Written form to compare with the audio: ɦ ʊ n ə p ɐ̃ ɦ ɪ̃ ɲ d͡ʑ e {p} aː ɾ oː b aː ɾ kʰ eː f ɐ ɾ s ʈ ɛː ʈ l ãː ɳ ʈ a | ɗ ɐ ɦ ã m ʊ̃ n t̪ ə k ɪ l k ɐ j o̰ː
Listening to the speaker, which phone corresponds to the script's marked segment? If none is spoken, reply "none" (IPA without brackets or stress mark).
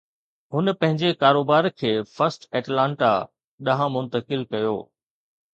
k